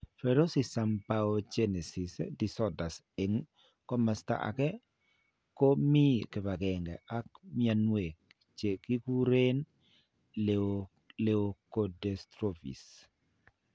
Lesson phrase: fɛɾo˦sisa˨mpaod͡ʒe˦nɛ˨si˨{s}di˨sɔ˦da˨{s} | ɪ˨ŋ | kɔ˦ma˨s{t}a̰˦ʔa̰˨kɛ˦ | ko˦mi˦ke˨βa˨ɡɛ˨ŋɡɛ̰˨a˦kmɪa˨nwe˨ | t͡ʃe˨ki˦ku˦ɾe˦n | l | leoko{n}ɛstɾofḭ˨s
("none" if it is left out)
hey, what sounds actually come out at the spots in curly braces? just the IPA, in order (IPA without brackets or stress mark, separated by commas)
s, s, t, d